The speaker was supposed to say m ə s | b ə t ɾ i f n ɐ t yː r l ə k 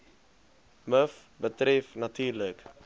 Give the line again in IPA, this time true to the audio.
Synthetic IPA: m ə f | b ə t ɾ ɛ f n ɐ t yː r l ə k